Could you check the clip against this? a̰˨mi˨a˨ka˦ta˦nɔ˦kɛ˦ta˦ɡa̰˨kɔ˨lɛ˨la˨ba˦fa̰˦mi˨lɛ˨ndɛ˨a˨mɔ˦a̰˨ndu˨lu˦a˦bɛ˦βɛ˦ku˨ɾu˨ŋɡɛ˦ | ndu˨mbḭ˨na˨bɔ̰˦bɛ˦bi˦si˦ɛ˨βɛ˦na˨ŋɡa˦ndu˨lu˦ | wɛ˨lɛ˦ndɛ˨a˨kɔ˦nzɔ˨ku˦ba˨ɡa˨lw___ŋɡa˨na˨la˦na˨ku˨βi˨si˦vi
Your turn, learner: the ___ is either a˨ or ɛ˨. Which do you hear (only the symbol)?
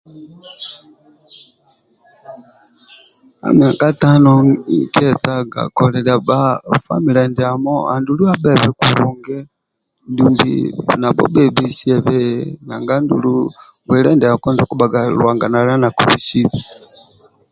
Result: a˨